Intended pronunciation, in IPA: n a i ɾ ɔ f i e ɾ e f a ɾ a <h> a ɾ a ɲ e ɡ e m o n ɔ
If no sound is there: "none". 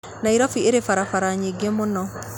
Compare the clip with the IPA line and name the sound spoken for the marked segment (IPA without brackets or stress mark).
f